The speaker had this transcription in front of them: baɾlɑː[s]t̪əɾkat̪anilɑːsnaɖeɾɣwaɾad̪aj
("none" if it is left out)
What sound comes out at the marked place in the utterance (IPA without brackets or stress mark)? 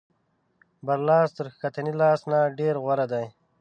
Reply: s